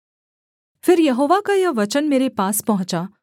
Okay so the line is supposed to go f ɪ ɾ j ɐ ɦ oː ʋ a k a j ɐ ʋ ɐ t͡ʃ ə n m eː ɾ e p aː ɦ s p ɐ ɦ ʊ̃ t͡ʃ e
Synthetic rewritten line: f ɪ ɾ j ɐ ɦ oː ʋ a k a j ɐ ʋ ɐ t͡ʃ ə n m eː ɾ e p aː s p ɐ ɦ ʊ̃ t͡ʃ a

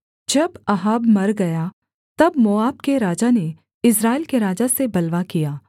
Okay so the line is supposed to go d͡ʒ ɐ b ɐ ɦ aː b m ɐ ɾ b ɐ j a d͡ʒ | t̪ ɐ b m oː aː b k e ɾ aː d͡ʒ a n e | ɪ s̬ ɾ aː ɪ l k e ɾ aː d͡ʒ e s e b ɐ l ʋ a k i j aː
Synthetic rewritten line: d͡ʒ ɐ b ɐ ɦ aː b m ɐ ɾ ɡ ɐ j a | t̪ ɐ b m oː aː b k e ɾ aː d͡ʒ a n e | ɪ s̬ ɾ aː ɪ l k e ɾ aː d͡ʒ a s e b ɐ l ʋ a k i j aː

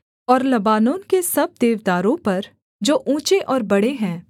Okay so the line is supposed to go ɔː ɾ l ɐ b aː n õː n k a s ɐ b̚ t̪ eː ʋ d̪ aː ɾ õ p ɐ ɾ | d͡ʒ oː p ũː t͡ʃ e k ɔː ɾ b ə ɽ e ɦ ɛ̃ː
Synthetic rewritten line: ɔː ɾ l ɐ b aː n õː n k e s ɐ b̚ d̪ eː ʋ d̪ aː ɾ õ p ɐ ɾ | d͡ʒ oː ʔ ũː t͡ʃ e ʔ ɔː ɾ b ɐ ɽ e ɦ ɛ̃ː

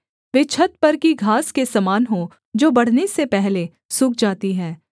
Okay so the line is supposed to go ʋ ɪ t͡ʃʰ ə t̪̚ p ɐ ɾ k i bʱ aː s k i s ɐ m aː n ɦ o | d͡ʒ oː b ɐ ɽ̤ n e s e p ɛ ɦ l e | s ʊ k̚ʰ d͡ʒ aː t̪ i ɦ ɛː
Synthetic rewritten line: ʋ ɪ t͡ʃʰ ə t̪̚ p ɐ ɾ k i ɡʱ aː s k e s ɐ m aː n ɦ o | d͡ʒ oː b ɐ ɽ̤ n e s e p ɛ ɦ l e | s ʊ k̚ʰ d͡ʒ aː t̪ i ɦ ɛː

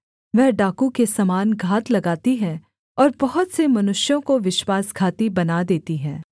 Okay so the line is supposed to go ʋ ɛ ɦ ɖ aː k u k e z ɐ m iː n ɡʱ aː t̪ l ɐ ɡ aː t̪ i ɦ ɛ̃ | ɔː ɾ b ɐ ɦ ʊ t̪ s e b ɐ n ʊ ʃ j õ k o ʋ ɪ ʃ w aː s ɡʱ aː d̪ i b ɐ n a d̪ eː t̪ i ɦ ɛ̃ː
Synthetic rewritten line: ʋ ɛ ɦ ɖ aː k u k e s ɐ m aː n ɡʱ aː t̪ l ɐ ɡ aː t̪ i ɦ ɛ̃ | ɔː ɾ b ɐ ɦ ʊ t̪ s e m ɐ n ʊ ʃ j õ k o ʋ ɪ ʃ w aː s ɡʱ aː t̪ i b ɐ n a d̪ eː t̪ i ɦ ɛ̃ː

